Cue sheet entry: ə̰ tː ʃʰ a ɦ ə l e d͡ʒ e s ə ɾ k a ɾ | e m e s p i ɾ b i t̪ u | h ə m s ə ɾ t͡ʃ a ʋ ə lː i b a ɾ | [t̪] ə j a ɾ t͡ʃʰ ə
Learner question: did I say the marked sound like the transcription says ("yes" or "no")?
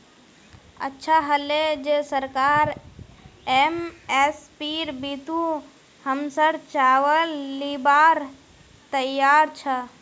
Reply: yes